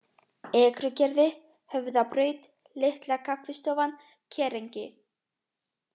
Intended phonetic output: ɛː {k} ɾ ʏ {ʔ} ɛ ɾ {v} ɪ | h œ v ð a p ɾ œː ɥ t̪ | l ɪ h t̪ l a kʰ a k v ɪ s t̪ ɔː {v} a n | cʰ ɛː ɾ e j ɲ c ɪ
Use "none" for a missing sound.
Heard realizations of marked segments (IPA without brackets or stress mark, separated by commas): k, c, ð, v